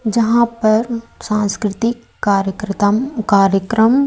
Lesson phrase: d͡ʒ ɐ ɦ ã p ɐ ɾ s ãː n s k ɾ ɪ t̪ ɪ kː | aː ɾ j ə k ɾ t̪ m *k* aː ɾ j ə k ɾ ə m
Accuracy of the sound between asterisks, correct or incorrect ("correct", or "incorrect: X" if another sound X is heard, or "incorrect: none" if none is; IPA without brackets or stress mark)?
correct